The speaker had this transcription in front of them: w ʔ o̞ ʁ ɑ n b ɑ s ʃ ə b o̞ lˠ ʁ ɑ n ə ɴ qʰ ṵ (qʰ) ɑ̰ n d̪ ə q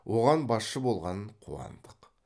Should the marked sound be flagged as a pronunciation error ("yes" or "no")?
yes